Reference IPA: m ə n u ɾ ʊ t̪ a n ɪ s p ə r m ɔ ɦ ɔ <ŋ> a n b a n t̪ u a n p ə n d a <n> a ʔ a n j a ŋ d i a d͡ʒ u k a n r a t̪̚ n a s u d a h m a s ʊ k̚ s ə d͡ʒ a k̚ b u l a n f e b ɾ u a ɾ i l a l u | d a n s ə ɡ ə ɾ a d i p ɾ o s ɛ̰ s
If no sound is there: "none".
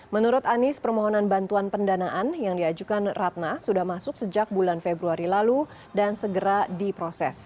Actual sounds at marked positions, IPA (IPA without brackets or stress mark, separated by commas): n, n